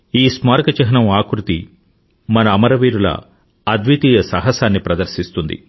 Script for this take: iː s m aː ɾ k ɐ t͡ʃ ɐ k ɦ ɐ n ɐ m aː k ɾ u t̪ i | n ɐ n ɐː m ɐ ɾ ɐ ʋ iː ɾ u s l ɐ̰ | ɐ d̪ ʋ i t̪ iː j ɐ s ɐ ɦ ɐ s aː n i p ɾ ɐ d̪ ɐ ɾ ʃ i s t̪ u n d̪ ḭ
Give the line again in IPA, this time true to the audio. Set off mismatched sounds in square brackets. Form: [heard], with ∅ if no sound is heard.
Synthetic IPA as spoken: iː s m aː ɾ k ɐ t͡ʃ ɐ [∅] ɦ ɐ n ɐ m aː k ɾ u t̪ i | [m] ɐ n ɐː m ɐ ɾ ɐ ʋ iː ɾ u [∅] l ɐ̰ | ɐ d̪ ʋ i t̪ iː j ɐ s ɐ ɦ ɐ s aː [nː] i p ɾ ɐ d̪ ɐ ɾ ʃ i s t̪ u n d̪ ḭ